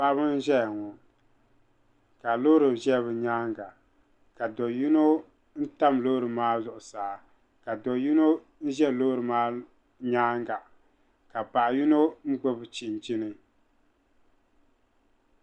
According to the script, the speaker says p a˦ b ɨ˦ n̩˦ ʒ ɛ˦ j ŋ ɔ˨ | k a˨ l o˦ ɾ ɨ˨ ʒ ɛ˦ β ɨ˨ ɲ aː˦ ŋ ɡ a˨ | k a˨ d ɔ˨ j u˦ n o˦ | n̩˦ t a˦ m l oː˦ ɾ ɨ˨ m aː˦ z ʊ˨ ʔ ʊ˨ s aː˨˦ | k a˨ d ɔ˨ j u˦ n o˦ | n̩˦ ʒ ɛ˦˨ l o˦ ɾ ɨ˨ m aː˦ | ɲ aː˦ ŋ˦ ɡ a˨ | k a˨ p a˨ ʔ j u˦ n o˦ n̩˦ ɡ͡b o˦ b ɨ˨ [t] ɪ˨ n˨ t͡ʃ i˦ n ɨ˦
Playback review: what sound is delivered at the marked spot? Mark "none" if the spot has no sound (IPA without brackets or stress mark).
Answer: t͡ʃ